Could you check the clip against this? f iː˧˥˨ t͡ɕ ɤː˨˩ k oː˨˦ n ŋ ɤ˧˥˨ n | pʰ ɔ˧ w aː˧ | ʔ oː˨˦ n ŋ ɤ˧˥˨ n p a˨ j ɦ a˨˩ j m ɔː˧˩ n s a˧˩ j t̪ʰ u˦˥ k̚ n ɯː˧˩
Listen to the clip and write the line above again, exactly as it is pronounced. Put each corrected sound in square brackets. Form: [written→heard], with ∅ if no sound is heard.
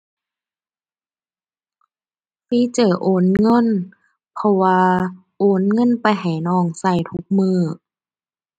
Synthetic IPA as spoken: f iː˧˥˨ t͡ɕ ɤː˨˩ [k→ʔ] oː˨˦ n ŋ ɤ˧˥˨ n | pʰ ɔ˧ w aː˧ | ʔ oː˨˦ n ŋ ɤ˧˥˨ n p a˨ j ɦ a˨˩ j [m→n] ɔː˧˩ [n→ŋ] s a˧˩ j t̪ʰ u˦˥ k̚ [n→m] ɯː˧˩